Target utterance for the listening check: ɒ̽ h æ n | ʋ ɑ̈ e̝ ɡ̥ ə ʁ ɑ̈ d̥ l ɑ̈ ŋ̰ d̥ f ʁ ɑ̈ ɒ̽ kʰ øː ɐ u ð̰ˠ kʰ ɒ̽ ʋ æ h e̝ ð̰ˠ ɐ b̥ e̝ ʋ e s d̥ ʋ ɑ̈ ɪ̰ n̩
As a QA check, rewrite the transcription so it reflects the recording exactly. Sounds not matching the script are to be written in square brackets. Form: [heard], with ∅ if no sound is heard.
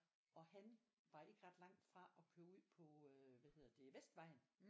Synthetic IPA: ɒ̽ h æ n | ʋ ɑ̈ e̝ ɡ̥ ə ʁ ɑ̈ d̥ l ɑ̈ ŋ̰ d̥ f ʁ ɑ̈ ɒ̽ kʰ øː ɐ u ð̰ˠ [pʰ] ɒ̽ ʋ æ h e̝ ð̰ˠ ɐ [d̥] e̝ ʋ e s d̥ ʋ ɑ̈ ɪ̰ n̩